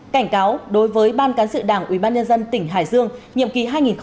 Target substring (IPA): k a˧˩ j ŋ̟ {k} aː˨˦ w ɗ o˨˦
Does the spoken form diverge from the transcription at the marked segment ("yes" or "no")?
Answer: no